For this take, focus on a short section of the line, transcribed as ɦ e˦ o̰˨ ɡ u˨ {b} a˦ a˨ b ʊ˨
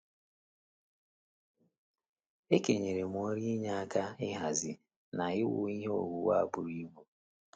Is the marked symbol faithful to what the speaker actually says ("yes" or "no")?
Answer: no